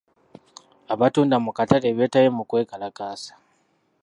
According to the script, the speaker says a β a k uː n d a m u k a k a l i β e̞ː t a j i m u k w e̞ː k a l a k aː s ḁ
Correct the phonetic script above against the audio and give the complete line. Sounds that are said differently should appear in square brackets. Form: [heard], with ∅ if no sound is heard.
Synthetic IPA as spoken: a β a [t] uː n d a m u k a [t] a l [e] β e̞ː t a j [e] m u k w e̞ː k a l a k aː s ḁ